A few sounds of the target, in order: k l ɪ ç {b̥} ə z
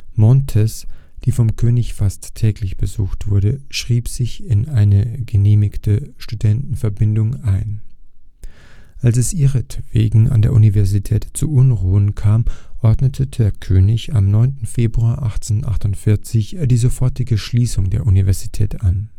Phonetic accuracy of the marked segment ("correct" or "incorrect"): correct